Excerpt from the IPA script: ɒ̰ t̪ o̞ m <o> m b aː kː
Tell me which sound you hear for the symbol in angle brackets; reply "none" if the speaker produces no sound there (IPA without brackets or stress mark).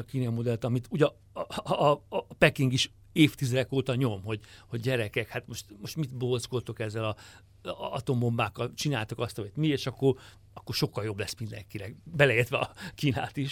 o